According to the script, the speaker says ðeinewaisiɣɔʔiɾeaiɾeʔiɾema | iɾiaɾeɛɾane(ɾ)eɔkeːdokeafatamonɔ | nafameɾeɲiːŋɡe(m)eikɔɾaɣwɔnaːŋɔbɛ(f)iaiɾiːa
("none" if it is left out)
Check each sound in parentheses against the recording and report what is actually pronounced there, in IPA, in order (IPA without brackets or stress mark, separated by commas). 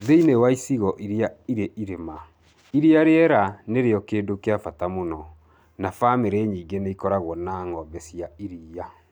ɾ, n, s